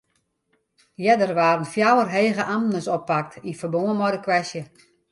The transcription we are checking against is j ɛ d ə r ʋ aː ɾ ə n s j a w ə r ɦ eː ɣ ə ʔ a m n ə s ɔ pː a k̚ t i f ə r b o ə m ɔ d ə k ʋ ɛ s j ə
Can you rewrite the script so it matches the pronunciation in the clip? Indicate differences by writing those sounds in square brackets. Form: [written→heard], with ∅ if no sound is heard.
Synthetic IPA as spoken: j ɛ d ə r ʋ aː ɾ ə n [s→f] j a w ə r ɦ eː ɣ ə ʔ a m n ə s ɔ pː a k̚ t i f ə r b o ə m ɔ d ə k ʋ ɛ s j ə